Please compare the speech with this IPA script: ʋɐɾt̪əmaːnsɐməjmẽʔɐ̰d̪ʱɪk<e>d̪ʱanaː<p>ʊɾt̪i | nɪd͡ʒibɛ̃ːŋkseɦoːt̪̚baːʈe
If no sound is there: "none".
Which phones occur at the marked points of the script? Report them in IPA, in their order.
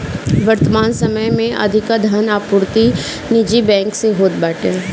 a, p

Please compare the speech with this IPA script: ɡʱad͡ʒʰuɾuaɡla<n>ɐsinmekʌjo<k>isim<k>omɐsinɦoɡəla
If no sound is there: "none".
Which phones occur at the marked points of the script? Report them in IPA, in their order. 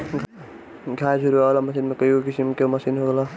m, k, k

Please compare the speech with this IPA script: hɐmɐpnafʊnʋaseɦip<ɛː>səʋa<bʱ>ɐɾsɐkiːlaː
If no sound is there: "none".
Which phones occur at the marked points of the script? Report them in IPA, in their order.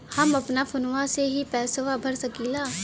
ɛː, bʱ

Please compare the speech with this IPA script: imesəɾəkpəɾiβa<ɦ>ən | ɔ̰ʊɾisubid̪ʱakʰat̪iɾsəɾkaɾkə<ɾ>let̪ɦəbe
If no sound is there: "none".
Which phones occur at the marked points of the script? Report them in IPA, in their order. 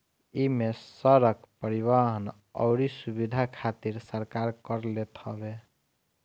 ɦ, ɾ

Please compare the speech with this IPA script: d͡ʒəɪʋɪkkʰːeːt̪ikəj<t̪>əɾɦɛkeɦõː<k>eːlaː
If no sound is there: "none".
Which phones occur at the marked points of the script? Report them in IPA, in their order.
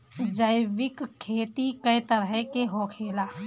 t̪, kʰ

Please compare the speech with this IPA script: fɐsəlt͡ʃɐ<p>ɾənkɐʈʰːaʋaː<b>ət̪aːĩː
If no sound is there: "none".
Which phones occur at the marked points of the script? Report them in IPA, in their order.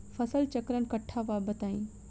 k, b

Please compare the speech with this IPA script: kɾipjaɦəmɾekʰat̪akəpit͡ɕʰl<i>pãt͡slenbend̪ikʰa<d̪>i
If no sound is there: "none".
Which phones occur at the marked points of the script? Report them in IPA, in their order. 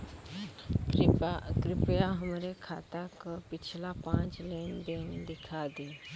a, d̪

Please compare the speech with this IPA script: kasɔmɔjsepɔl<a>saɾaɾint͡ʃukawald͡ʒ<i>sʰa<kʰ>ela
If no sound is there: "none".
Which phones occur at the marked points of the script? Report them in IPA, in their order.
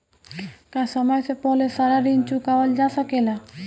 e, a, k

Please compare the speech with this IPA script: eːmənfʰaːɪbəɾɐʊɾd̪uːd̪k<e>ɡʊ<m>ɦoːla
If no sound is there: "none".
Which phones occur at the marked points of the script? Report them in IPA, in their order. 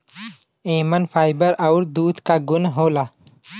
a, n

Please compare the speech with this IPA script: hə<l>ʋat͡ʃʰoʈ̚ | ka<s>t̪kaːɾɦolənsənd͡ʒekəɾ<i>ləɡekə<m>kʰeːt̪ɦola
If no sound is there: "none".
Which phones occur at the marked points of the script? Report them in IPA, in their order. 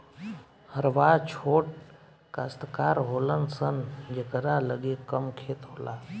ɾ, s, a, m

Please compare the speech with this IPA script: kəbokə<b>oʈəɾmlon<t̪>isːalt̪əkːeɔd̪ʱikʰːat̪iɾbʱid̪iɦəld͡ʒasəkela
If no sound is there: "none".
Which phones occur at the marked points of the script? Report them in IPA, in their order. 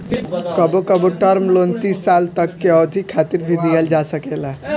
b, t̪

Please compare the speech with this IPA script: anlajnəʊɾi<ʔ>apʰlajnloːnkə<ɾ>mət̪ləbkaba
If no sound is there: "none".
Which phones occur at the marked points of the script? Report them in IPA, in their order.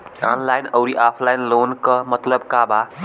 ʔ, none

